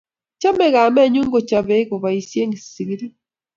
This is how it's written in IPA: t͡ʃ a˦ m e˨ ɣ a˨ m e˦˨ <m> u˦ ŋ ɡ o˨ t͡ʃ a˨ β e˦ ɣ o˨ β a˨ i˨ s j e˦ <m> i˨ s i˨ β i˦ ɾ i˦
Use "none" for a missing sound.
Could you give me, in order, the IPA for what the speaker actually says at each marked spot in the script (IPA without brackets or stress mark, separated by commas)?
ɲ, ŋ